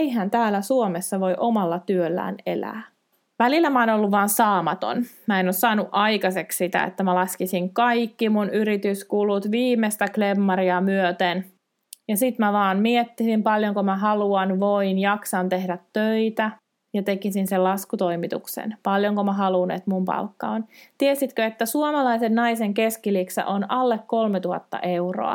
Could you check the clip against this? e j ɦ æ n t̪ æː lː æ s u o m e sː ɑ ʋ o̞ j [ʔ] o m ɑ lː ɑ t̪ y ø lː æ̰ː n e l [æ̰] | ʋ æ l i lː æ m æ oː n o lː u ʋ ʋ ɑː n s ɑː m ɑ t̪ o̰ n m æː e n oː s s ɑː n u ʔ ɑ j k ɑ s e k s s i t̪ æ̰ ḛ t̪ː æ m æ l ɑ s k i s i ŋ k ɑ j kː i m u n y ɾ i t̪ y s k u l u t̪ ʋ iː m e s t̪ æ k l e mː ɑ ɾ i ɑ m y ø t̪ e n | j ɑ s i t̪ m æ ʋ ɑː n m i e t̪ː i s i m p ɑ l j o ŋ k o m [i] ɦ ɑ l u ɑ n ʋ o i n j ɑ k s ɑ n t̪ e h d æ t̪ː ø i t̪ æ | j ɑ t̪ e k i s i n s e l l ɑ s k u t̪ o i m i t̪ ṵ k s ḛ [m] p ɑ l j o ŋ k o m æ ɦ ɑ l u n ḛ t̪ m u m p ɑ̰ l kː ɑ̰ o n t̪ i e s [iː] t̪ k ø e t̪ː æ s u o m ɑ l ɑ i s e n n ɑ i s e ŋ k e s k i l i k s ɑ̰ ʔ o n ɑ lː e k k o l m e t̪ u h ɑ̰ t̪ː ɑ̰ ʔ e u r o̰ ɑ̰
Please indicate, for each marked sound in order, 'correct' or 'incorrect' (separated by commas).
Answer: correct, incorrect, incorrect, incorrect, incorrect